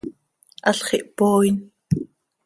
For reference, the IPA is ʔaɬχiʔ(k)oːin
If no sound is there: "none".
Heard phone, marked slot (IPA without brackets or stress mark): p